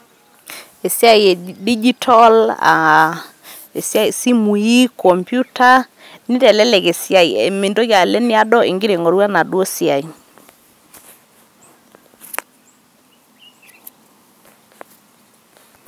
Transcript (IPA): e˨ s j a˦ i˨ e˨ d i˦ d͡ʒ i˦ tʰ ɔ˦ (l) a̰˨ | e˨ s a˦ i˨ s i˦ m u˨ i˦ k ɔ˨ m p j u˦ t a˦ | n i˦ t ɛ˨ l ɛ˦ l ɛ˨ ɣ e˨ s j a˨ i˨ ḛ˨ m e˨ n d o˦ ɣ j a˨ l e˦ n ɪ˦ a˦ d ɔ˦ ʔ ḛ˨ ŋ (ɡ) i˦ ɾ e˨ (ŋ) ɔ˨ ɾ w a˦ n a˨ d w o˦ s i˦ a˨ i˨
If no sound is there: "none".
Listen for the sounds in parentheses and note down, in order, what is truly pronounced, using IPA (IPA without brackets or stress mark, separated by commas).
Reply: l, ɡ, ŋ